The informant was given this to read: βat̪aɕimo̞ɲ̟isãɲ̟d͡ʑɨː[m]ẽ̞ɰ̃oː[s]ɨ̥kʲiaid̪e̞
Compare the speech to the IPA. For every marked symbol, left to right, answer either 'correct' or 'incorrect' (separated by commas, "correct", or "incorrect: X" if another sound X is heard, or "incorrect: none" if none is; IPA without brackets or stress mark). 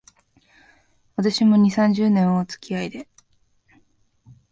incorrect: n, incorrect: t͡s